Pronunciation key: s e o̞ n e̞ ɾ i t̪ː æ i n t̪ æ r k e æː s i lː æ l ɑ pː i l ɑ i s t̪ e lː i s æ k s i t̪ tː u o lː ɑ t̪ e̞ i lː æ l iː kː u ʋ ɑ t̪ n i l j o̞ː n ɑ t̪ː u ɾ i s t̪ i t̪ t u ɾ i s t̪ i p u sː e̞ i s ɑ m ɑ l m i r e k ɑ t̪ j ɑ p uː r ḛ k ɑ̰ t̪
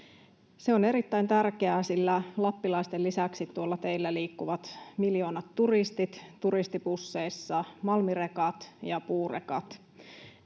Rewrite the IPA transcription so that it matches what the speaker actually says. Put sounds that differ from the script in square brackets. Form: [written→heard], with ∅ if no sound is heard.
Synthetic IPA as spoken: s e o̞ n e̞ ɾ i t̪ː æ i n t̪ æ r k e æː s i lː æ l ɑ pː i l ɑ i s t̪ e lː i s æ k s i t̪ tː u o lː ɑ t̪ e̞ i lː æ l iː kː u ʋ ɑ t̪ [n→m] i l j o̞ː n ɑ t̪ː u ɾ i s t̪ i t̪ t u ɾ i s t̪ i p u sː e̞ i [s→sː] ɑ m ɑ l m i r e k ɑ t̪ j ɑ p uː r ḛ k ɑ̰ t̪